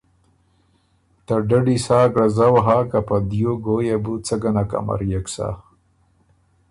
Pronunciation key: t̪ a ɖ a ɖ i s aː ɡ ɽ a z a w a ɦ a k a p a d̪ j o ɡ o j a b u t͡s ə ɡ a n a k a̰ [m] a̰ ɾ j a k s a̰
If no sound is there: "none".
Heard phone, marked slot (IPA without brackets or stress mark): m